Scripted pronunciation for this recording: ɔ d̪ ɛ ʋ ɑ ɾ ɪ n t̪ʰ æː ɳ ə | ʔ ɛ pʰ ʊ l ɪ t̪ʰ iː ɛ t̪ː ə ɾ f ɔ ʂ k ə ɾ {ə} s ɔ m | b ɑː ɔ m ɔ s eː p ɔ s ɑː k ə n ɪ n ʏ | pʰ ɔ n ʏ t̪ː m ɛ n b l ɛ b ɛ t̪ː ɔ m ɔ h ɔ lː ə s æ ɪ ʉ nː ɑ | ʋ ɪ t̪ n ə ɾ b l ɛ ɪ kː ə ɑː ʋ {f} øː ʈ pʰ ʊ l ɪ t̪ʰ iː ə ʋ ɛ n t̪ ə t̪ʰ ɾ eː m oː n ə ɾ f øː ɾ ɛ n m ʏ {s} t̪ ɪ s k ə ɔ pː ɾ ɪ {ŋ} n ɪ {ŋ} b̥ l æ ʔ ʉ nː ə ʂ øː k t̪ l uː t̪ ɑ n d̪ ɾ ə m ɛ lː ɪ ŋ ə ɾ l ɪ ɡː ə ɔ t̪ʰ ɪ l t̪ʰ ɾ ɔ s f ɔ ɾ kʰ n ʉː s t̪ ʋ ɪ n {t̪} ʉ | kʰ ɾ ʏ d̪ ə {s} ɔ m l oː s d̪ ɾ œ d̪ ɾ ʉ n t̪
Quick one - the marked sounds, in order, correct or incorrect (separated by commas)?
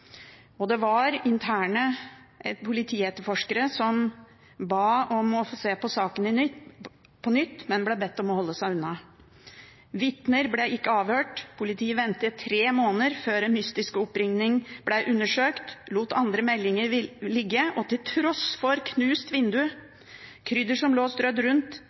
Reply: correct, incorrect, correct, correct, correct, incorrect, incorrect